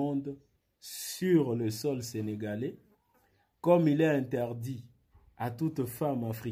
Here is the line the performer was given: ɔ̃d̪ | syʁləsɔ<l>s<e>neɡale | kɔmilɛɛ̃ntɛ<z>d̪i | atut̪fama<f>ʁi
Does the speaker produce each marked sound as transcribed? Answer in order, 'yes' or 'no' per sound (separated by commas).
yes, yes, no, yes